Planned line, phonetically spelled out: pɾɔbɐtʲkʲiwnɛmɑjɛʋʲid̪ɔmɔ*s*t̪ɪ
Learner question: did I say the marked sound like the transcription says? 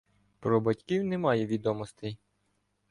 yes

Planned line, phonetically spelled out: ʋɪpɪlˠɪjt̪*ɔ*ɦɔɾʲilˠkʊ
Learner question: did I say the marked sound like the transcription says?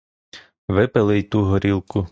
no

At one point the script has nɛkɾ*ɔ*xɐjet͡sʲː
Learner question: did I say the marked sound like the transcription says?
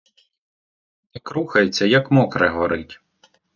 no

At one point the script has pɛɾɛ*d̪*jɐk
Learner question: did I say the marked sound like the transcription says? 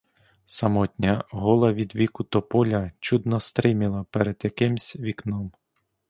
yes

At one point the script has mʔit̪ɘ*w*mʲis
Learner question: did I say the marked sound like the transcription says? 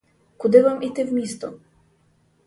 no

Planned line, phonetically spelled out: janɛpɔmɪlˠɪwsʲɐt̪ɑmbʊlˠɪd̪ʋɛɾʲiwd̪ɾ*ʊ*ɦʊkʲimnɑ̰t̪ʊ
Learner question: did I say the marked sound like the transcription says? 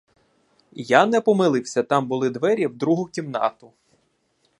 no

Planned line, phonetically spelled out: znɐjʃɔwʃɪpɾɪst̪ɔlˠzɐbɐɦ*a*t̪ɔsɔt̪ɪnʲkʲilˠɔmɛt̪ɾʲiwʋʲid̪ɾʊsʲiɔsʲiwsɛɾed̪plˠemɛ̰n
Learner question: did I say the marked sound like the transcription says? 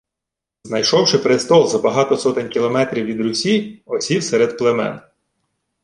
no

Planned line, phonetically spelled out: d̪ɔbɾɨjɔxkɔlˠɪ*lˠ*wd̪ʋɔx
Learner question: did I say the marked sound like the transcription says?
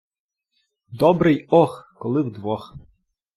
no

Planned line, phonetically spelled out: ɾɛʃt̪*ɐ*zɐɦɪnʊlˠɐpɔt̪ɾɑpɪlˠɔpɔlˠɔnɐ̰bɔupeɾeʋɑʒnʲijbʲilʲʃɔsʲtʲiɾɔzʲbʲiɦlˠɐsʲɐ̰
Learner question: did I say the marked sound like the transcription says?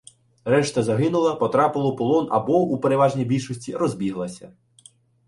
yes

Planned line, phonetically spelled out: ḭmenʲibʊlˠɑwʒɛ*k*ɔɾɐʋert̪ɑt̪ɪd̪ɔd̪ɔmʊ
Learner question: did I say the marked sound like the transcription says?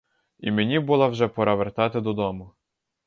no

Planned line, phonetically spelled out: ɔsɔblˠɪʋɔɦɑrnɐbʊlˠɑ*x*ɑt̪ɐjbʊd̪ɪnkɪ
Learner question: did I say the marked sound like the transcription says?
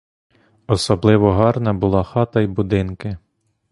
yes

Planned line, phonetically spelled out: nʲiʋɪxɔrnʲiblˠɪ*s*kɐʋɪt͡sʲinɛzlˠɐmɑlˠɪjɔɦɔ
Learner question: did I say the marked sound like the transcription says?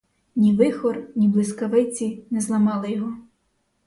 yes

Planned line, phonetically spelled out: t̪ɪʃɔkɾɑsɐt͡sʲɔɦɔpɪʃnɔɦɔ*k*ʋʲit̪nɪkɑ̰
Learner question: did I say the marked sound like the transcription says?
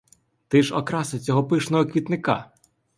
yes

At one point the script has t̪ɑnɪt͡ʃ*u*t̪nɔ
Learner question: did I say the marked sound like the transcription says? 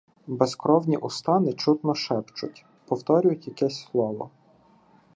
yes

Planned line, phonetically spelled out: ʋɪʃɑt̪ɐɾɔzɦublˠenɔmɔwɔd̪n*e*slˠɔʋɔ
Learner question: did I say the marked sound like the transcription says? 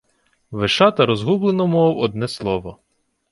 no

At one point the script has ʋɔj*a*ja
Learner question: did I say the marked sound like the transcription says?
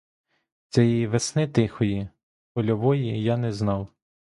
no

